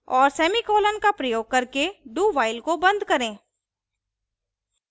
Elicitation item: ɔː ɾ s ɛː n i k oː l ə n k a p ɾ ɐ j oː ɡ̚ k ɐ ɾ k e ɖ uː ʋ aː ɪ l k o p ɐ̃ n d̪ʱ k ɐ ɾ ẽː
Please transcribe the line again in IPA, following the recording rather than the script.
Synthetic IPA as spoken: ɔː ɾ s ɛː m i k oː l ə n k a p ɾ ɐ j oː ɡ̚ k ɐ ɾ k e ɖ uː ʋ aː ɪ l k o b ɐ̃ n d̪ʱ k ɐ ɾ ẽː